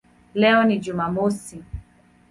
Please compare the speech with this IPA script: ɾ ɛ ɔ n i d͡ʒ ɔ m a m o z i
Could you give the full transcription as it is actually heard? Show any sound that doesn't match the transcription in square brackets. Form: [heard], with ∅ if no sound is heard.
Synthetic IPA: [l] ɛ ɔ n i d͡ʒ [u] m a m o [s] i